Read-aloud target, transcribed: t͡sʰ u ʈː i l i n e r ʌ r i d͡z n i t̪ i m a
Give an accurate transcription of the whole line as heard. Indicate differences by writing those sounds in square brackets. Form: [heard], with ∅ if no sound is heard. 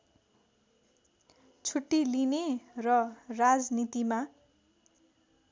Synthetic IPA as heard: t͡sʰ u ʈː i l i n e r ʌ r [a] d͡z n i t̪ i m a